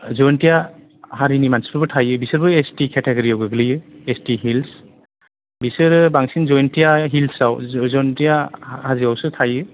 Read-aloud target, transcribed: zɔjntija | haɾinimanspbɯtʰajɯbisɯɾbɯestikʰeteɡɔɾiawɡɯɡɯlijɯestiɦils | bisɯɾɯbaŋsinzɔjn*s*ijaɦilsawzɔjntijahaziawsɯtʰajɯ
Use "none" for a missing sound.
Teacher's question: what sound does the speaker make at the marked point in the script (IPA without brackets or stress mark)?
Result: t